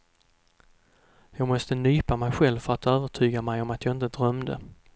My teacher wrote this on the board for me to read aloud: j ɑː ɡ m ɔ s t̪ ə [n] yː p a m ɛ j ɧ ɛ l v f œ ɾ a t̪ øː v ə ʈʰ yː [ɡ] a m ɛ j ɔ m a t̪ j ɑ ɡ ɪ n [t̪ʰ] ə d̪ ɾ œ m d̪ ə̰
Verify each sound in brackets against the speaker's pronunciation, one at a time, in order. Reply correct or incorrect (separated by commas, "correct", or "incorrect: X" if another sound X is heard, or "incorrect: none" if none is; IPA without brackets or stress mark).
correct, correct, incorrect: t̪